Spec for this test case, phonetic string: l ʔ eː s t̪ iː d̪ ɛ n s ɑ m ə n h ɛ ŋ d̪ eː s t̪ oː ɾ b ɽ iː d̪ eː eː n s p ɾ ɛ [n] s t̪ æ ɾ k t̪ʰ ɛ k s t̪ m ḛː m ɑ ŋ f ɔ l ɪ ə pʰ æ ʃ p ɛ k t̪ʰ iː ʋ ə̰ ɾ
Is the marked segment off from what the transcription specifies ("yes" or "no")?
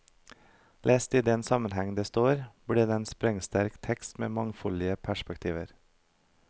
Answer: yes